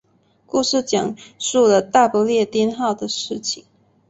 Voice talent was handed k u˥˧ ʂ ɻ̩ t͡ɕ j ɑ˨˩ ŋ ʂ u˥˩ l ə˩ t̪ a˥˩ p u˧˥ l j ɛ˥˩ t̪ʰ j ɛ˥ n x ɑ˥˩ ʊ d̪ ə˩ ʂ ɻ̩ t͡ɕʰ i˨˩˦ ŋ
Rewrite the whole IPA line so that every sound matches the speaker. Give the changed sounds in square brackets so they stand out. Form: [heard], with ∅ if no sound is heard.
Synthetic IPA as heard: k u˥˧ ʂ ɻ̩ t͡ɕ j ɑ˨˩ ŋ ʂ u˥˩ l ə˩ t̪ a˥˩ p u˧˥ l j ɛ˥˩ [t̪] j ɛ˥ n x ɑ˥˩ ʊ d̪ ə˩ ʂ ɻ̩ t͡ɕʰ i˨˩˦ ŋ